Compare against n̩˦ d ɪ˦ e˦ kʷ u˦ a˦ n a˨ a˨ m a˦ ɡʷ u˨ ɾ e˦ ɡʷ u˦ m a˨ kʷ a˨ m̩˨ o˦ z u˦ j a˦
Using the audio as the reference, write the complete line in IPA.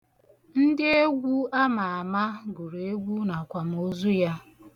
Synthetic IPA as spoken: n̩˦ d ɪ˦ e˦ ɡʷ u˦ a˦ m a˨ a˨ m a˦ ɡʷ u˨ ɾ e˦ ɡʷ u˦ n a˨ kʷ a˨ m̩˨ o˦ z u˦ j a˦